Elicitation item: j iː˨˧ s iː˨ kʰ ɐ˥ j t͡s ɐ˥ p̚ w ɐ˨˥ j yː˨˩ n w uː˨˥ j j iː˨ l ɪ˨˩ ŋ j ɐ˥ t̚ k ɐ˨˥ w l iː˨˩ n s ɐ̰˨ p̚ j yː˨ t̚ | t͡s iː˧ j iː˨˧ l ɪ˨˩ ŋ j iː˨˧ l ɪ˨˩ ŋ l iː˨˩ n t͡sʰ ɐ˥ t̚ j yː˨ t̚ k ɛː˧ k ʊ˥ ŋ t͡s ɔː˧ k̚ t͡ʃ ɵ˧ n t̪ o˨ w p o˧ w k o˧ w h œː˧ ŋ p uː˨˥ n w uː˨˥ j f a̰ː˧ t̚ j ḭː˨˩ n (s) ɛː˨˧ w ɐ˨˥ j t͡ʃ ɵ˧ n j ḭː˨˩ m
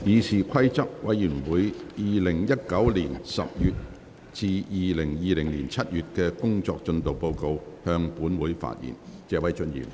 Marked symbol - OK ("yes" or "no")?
no